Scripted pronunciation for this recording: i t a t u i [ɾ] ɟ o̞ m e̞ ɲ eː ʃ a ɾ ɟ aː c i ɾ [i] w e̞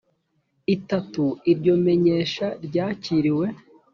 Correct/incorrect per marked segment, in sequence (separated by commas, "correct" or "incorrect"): correct, correct